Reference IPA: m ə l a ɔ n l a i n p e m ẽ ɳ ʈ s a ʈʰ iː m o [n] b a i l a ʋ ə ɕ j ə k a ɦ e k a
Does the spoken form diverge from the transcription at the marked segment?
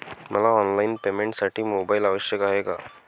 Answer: yes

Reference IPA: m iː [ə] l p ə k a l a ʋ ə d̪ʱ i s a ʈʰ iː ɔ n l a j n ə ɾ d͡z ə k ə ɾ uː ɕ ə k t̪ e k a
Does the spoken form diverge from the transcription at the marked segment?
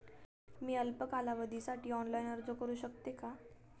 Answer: no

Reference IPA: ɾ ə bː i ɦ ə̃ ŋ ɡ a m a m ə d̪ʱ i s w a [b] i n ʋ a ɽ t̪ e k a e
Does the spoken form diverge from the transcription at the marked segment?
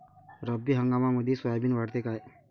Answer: no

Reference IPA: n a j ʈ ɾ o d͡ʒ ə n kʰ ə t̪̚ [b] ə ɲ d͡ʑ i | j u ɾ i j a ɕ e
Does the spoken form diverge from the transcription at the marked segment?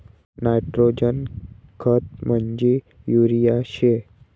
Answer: yes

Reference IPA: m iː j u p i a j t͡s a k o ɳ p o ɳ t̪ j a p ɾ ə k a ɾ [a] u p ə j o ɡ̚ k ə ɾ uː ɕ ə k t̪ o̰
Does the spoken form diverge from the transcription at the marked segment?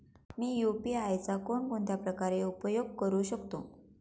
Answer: yes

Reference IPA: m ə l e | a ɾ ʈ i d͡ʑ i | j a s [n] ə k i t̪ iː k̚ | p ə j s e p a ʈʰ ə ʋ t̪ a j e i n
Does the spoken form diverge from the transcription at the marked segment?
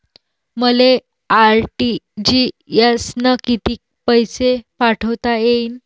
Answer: no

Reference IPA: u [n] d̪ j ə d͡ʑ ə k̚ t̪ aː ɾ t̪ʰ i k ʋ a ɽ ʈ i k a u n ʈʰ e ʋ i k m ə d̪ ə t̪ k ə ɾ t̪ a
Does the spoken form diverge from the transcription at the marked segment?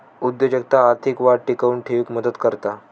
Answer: yes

